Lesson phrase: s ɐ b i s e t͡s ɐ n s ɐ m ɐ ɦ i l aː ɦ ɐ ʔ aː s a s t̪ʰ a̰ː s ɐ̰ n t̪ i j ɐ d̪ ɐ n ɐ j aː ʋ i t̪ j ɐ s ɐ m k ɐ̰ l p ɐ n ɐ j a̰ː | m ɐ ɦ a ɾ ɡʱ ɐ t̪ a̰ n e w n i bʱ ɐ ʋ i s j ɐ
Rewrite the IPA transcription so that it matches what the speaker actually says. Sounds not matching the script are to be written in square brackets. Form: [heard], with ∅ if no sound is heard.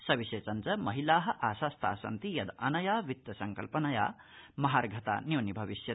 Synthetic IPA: s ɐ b i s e t͡s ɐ n [t͡s] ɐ m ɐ ɦ i l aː ɦ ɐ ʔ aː s a s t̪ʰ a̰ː s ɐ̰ n t̪ i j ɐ d̪ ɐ n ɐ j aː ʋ i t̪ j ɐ s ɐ [ŋ] k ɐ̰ l p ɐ n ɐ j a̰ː | m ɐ ɦ a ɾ ɡʱ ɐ t̪ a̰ n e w n i bʱ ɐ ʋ i s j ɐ